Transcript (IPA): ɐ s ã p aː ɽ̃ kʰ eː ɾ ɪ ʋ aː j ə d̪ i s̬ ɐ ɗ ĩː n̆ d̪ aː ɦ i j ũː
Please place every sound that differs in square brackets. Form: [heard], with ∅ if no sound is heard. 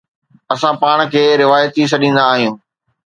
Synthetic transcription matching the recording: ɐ s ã p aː ɽ̃ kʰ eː ɾ ɪ ʋ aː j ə [t̪] i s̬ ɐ ɗ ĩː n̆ d̪ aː ɦ i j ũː